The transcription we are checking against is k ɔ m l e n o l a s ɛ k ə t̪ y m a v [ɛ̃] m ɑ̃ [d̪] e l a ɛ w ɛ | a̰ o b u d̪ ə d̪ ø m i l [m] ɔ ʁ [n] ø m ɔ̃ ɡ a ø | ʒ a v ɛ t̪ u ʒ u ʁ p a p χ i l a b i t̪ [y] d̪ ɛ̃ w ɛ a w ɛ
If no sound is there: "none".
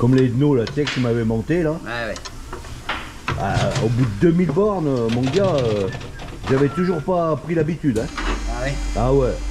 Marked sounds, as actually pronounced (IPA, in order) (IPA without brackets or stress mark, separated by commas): ɛ, t̪, b, n, y